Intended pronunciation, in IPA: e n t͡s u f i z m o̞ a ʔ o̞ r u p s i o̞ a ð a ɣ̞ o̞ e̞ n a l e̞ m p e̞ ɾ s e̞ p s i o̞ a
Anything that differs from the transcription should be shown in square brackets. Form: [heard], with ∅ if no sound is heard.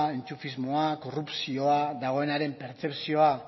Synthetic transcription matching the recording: e n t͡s u f i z m o̞ a [k] o̞ r u p s i o̞ a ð a ɣ̞ o̞ e̞ n a [ɾ] e̞ m p e̞ ɾ [t͡s] e̞ p s i o̞ a